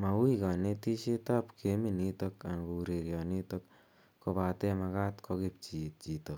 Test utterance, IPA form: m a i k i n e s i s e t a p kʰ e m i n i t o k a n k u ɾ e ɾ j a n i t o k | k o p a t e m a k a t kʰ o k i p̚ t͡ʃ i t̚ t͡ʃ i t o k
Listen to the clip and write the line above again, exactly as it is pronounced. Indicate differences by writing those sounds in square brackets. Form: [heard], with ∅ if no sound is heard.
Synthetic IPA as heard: m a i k [a] n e [t] i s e t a p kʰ e m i n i t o k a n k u ɾ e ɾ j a n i t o k | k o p a t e m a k a t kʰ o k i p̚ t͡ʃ i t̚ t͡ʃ i t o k